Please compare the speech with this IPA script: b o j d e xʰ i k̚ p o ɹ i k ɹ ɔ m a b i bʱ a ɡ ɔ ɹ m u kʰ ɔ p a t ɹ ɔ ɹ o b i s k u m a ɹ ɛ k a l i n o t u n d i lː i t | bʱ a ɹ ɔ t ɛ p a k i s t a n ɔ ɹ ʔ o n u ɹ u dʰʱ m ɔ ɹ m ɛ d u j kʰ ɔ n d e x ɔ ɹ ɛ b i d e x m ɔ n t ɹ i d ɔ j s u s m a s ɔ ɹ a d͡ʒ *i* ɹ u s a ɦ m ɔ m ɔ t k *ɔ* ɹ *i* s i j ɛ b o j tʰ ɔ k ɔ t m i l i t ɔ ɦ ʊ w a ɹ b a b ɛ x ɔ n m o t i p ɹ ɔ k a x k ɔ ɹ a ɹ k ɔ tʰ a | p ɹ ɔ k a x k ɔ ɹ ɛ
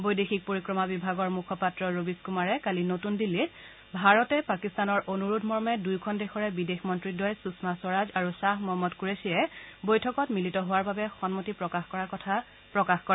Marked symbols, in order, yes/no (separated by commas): no, no, no